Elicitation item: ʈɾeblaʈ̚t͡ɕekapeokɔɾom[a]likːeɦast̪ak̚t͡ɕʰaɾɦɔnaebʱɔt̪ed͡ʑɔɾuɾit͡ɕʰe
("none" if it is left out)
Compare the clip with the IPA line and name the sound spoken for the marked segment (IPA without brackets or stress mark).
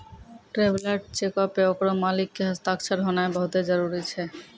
a